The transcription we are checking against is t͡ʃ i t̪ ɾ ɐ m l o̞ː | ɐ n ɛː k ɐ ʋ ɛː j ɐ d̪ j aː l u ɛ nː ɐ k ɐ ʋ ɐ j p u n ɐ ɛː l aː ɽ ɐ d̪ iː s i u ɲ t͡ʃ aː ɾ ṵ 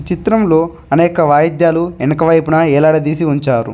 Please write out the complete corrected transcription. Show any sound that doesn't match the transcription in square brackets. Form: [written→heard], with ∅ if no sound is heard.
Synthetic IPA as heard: t͡ʃ i t̪ ɾ ɐ m l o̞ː | ɐ n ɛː k ɐ ʋ [ɛː→aː] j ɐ d̪ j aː l u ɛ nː ɐ k ɐ ʋ ɐ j p u n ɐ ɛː l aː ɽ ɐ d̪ iː s i u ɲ t͡ʃ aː ɾ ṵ